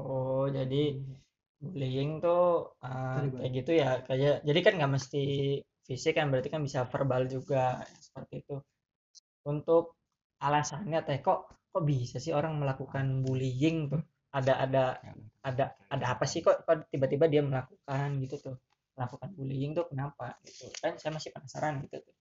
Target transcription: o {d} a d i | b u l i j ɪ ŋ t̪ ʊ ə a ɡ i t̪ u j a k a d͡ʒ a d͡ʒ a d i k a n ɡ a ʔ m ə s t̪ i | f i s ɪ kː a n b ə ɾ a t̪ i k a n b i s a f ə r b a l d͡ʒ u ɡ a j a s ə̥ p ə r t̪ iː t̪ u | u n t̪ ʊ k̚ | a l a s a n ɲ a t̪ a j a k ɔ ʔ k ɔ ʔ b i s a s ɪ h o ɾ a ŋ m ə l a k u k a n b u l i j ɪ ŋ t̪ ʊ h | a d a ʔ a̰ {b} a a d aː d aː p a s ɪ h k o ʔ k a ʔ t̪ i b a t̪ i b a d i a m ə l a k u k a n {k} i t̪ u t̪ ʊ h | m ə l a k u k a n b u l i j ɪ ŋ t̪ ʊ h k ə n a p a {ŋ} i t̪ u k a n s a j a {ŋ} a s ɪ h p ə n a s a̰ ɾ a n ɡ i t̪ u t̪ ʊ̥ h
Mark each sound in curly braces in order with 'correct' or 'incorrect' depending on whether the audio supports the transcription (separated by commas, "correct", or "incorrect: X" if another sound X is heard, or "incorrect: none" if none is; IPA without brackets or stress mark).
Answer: incorrect: d͡ʒ, incorrect: d, incorrect: ɡ, incorrect: ɡ, incorrect: m